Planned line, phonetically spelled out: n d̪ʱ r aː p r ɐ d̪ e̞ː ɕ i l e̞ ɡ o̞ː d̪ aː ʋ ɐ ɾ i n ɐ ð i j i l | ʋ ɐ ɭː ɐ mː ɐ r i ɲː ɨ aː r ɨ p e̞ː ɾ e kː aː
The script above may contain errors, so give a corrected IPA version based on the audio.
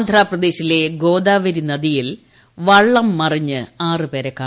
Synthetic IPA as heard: n d̪ʱ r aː p r ɐ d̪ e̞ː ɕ i l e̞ ɡ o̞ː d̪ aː ʋ ɐ ɾ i n ɐ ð i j i l | ʋ ɐ ɭː ɐ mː ɐ r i ɲː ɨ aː r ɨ p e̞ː ɾ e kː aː